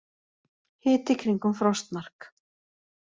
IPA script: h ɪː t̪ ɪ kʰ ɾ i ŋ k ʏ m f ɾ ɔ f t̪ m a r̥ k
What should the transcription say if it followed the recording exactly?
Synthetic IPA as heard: h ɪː t̪ ɪ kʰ ɾ i ŋ k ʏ m f ɾ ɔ s t̪ m a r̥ k